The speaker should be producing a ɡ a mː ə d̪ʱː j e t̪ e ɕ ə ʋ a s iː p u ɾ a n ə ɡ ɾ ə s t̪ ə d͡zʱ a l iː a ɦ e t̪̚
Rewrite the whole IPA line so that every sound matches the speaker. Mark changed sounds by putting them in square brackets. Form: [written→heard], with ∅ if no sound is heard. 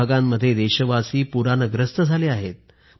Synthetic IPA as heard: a ɡ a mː ə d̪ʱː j e [t̪→d̪] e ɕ ə ʋ a s iː p u ɾ a n ə ɡ ɾ ə s t̪ ə d͡zʱ a l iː a ɦ e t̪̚